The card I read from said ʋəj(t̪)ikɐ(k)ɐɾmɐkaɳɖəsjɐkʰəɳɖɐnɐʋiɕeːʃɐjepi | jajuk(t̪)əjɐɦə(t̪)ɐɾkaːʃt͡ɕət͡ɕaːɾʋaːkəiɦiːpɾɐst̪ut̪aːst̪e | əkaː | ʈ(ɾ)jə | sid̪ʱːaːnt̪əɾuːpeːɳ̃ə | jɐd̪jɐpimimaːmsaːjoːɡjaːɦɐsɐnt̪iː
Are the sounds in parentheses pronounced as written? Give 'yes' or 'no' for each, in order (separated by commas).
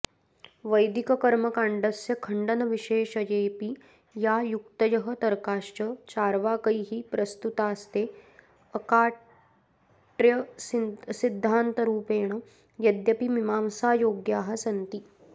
no, yes, yes, yes, yes